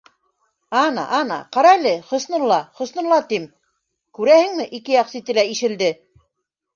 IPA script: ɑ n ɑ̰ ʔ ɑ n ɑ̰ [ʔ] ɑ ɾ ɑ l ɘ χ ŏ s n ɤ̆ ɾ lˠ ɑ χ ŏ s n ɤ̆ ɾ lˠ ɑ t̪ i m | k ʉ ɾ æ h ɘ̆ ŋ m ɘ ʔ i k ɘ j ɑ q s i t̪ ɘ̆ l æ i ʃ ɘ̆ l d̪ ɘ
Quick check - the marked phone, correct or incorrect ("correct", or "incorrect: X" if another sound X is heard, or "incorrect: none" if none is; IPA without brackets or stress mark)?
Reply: incorrect: q